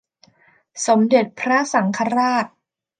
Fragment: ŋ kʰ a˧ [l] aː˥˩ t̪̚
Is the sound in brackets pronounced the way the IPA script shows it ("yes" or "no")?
no